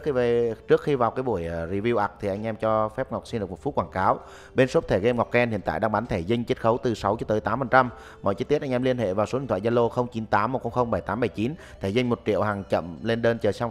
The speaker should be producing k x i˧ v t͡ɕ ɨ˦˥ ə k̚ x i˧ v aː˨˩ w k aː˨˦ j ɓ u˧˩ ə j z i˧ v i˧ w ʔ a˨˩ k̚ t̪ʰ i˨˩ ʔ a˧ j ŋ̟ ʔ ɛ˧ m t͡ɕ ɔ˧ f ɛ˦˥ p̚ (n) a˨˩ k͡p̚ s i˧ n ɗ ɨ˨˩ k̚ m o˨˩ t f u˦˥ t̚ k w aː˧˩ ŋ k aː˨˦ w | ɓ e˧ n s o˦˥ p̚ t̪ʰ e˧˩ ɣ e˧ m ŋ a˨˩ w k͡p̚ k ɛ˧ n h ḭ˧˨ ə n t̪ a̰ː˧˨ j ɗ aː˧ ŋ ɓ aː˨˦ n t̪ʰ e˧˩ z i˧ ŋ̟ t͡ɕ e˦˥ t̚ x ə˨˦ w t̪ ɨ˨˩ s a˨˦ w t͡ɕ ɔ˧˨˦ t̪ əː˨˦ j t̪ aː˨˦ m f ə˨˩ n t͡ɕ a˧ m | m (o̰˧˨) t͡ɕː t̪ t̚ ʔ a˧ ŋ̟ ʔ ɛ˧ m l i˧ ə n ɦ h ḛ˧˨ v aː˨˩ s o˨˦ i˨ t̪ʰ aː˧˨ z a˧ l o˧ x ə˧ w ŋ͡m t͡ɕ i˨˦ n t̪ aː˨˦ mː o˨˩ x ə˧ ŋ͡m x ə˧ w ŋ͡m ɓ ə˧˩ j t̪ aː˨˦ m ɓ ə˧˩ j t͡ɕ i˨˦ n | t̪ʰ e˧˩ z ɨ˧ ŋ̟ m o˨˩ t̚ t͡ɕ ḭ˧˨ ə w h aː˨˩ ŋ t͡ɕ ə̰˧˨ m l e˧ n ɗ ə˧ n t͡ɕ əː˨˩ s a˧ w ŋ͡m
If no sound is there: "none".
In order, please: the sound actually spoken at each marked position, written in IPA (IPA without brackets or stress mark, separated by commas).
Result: ŋ, ɔ̰˧˨